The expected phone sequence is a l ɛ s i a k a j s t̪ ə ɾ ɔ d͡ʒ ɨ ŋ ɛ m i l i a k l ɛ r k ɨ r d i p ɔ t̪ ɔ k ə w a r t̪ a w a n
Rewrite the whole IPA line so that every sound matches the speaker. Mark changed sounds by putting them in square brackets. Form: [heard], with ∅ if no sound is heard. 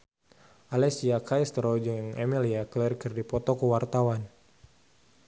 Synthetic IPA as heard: a l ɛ s i a k a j s t̪ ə ɾ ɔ d͡ʒ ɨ ŋ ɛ m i l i a k l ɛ r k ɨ r d i p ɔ t̪ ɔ k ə w a r t̪ a w a n